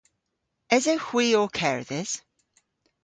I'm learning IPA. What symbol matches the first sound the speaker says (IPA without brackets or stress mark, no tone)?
ɪ